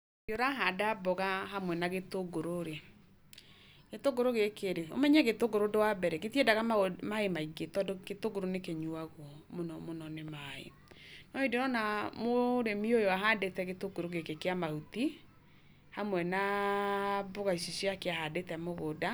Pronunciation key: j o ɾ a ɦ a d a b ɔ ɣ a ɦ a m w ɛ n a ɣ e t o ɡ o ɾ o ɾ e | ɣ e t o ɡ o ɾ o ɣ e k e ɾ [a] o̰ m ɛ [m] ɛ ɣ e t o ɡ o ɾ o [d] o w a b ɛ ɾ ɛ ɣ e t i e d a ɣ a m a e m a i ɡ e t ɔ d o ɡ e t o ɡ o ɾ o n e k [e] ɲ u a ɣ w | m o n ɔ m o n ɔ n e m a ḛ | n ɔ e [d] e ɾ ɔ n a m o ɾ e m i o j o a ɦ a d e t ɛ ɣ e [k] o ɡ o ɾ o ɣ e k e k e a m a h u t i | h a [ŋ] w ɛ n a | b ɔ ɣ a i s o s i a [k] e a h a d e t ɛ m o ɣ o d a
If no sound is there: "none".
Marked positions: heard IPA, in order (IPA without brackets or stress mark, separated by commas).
e, ɲ, d, e, d, t, m, k